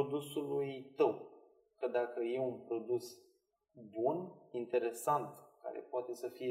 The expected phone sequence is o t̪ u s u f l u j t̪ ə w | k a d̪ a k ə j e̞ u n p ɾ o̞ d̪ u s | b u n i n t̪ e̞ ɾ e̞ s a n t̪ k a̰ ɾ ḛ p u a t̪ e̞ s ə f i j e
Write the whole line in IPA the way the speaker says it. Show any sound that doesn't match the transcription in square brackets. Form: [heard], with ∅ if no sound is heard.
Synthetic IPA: o [d̪] u s u [∅] l u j t̪ ə w | k [ə] d̪ a k ə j e̞ u n p ɾ o̞ d̪ u s | b u n i n t̪ e̞ ɾ e̞ s a n t̪ k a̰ ɾ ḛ p [o] a t̪ e̞ s ə f i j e